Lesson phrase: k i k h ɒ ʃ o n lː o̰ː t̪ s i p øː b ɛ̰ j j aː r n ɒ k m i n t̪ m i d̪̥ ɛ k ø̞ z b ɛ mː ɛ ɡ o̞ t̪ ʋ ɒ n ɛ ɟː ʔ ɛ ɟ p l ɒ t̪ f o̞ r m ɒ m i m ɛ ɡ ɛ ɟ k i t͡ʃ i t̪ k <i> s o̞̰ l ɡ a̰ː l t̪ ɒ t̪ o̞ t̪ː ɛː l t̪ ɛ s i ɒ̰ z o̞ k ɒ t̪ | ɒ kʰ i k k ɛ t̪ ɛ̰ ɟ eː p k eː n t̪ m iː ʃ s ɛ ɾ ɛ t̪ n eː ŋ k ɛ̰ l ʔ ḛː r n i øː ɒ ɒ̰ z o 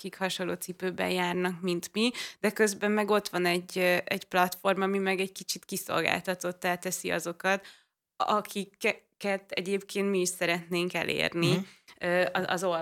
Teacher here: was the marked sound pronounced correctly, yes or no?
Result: yes